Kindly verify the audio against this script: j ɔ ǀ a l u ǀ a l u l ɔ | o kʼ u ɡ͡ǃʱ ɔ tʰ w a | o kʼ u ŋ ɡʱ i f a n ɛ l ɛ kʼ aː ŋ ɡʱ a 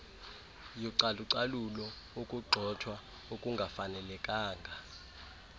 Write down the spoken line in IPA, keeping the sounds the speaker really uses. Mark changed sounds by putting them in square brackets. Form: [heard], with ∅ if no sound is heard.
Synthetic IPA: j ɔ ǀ a l u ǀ a l u l ɔ | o kʼ u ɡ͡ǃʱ ɔ tʰ w a | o kʼ u ŋ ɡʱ [a] f a n ɛ l ɛ kʼ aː ŋ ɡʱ a